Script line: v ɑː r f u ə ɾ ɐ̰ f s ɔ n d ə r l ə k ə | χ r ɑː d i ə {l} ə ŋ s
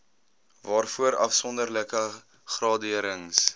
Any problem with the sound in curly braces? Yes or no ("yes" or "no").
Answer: yes